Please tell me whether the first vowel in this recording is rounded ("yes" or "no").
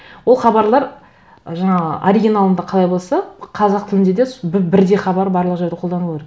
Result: yes